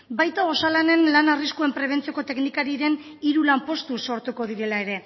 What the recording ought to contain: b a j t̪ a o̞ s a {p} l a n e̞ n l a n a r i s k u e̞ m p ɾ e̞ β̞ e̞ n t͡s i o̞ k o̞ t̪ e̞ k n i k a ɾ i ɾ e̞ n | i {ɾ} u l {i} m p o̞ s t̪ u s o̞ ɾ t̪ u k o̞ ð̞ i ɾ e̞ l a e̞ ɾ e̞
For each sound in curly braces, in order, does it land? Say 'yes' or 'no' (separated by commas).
no, yes, no